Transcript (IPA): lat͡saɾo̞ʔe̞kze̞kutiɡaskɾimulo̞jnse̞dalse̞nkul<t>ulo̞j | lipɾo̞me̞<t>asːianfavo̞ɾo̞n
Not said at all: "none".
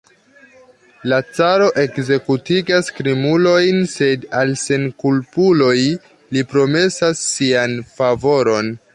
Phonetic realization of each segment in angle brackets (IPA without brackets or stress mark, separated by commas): p, s